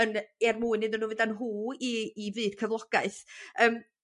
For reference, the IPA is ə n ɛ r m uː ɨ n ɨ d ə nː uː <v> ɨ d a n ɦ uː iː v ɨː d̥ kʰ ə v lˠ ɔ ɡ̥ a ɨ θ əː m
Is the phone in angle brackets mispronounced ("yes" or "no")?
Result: no